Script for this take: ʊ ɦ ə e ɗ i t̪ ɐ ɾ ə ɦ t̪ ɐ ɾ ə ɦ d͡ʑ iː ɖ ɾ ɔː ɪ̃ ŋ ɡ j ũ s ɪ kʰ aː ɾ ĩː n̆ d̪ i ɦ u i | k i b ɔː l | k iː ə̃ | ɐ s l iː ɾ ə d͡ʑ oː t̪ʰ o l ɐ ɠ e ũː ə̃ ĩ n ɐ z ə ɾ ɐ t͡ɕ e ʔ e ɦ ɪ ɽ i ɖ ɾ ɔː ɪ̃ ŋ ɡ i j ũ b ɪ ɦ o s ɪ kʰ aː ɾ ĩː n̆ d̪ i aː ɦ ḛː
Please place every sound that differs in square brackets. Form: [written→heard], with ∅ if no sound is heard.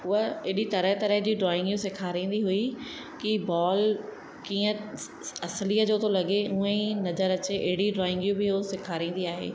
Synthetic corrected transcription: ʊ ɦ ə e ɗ i t̪ ɐ ɾ ə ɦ t̪ ɐ ɾ ə ɦ d͡ʑ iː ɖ ɾ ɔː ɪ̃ ŋ ɡ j ũ s ɪ kʰ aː ɾ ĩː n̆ d̪ i ɦ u i | k i b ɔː l | k iː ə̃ | ɐ s l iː [ɾ→∅] ə d͡ʑ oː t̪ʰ o l ɐ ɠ e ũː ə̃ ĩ n ɐ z ə ɾ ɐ t͡ɕ e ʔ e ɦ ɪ ɽ i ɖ ɾ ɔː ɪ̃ ŋ ɡ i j ũ b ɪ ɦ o s ɪ kʰ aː ɾ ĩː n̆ d̪ i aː ɦ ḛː